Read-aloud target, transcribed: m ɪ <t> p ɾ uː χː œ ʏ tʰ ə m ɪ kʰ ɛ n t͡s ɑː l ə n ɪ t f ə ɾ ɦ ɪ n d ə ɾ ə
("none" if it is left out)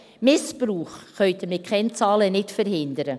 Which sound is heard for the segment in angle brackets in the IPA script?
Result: s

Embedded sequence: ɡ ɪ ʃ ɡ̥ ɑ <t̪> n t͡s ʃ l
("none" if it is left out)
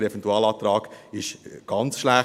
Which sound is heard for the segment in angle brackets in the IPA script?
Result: none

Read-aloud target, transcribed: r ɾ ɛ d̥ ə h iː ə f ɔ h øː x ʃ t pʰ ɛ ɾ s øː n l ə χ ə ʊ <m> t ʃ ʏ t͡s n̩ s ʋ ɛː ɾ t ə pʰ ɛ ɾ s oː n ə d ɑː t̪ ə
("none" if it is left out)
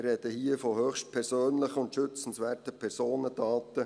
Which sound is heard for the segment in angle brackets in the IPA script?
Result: n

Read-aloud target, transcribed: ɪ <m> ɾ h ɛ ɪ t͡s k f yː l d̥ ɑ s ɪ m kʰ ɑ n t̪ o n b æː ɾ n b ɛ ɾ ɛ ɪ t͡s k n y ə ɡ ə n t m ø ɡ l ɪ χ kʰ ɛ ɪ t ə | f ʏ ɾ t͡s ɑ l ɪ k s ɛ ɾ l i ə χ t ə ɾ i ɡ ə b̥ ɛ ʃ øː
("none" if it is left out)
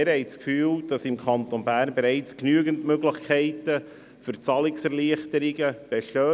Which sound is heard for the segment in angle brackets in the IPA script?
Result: none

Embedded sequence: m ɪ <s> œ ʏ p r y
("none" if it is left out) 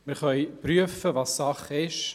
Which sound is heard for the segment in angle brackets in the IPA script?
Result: χ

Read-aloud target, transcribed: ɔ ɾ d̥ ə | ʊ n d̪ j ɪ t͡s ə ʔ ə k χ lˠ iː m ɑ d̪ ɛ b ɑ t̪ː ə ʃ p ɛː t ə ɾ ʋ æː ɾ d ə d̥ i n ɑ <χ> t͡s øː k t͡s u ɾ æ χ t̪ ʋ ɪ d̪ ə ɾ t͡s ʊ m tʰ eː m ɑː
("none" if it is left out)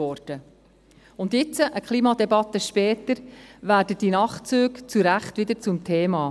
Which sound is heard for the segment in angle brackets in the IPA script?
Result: χ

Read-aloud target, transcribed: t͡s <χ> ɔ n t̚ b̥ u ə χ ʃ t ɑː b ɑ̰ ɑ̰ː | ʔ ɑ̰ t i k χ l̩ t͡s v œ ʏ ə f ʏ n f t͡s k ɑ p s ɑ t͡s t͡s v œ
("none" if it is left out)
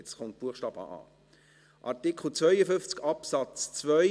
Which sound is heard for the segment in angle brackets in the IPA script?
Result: χ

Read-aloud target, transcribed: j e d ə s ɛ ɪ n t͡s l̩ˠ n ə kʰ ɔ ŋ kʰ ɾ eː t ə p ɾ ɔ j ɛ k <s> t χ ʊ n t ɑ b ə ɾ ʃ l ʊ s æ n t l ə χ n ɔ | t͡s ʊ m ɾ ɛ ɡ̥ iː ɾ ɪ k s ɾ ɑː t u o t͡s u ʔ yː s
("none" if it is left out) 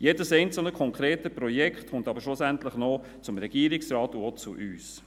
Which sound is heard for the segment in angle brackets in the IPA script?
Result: χ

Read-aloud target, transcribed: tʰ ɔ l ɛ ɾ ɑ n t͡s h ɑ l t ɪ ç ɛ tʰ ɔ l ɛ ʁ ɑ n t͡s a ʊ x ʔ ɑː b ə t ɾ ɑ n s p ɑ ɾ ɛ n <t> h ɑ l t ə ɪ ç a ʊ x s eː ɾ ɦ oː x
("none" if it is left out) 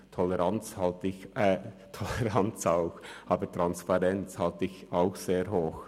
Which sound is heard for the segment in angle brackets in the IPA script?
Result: t͡s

